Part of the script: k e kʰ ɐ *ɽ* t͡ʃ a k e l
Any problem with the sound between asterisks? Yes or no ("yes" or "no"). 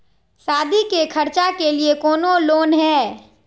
yes